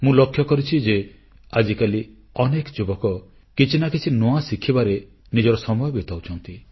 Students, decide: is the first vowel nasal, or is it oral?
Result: nasal